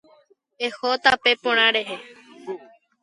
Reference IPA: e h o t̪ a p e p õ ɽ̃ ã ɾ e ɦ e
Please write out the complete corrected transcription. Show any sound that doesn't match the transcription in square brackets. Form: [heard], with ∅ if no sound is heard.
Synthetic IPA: e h o t̪ a p e p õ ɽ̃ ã ɾ e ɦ e

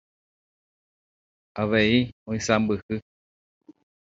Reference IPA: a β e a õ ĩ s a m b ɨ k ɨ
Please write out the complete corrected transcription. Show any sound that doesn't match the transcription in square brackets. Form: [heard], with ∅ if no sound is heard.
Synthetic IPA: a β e [i] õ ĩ s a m b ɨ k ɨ

